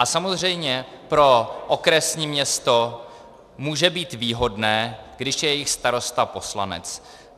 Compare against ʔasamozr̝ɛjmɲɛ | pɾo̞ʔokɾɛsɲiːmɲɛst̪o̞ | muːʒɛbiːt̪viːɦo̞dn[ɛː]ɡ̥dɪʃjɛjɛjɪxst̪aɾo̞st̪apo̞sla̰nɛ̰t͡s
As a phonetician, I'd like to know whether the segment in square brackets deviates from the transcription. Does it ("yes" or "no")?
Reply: no